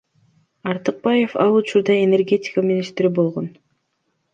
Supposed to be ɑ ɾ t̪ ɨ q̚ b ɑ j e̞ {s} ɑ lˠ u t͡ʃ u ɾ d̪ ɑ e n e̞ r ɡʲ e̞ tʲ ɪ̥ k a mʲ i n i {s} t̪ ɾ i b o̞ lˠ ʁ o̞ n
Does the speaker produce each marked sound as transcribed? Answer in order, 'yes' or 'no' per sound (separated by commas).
no, yes